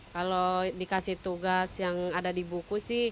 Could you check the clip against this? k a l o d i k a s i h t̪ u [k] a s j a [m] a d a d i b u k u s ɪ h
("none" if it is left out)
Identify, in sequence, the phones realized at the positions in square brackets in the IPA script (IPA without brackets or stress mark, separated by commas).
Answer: ɡ, ŋ